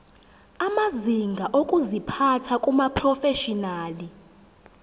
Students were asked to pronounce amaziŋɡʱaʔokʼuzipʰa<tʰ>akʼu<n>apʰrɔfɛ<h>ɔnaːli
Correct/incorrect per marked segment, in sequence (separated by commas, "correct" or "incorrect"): correct, incorrect, incorrect